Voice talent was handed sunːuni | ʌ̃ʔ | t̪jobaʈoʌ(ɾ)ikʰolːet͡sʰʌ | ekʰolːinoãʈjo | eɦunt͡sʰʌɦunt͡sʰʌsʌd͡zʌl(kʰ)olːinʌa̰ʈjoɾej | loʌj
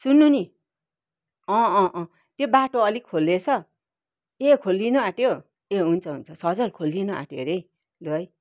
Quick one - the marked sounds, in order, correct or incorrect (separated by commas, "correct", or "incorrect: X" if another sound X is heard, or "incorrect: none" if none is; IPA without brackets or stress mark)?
incorrect: l, correct